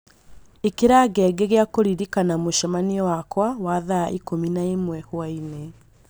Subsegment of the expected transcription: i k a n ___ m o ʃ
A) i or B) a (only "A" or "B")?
B